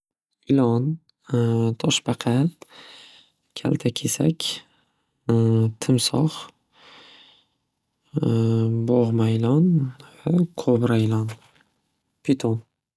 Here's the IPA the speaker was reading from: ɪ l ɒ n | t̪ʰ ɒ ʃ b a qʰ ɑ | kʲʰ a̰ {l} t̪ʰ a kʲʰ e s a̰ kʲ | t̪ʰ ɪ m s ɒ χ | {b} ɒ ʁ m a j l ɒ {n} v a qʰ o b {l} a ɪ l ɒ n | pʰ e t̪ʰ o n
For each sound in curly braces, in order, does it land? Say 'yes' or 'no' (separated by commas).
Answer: yes, yes, yes, no